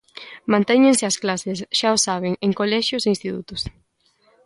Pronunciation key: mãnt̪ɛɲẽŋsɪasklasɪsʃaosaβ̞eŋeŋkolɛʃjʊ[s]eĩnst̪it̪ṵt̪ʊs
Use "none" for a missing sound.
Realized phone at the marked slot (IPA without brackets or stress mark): s